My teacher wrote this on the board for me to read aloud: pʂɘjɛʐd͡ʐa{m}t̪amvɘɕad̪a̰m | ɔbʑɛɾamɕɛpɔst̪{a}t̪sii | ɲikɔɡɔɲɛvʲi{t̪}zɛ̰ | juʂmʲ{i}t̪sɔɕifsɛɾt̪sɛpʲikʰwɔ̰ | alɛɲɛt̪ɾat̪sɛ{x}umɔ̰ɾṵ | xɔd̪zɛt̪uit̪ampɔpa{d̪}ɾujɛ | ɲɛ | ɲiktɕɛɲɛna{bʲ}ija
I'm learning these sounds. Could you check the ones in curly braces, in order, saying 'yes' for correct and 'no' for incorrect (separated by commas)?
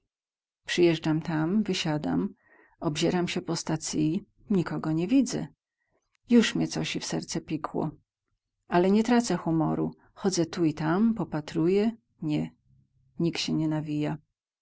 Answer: yes, yes, no, no, yes, no, no